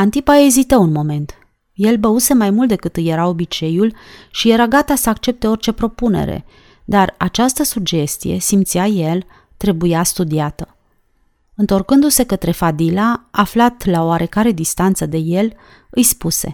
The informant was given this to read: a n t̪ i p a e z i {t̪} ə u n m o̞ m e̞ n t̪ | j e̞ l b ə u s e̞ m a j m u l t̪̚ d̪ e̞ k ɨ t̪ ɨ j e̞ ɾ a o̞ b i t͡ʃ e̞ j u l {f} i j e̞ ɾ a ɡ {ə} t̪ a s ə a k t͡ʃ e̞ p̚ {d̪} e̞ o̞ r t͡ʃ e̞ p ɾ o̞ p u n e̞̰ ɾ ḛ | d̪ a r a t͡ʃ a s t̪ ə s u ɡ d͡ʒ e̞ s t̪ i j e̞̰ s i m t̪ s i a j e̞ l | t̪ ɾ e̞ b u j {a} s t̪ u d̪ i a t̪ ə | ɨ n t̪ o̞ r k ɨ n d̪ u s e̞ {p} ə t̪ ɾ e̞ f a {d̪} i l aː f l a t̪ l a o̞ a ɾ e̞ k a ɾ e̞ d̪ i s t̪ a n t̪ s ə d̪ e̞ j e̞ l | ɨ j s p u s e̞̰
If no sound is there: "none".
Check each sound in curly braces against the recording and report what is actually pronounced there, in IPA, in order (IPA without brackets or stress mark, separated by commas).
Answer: t̪, ʃ, a, t̪, a, k, d̪